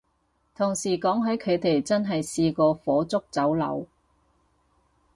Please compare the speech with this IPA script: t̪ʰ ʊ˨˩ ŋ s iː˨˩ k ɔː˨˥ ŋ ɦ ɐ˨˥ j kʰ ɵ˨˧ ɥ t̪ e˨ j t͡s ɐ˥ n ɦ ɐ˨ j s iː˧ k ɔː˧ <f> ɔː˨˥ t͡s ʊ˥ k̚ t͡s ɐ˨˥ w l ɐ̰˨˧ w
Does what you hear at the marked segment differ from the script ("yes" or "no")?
no